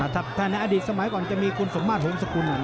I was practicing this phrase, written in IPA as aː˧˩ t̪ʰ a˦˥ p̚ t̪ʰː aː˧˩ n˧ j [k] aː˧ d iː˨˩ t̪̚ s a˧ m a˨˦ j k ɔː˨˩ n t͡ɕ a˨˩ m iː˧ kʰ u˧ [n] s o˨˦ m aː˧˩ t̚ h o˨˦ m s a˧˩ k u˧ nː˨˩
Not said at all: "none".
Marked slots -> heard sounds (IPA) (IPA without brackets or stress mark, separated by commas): ʔ, n